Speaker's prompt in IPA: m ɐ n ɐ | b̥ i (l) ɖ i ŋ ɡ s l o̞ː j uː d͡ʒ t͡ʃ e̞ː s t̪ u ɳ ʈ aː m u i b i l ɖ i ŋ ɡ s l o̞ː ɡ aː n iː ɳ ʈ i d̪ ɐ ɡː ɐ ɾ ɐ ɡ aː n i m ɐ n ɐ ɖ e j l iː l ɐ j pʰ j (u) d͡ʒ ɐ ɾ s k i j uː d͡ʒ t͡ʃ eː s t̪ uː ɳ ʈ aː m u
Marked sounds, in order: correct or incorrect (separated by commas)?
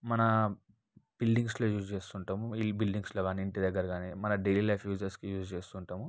correct, incorrect